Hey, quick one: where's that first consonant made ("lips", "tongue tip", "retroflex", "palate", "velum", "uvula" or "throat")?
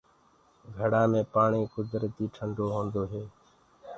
velum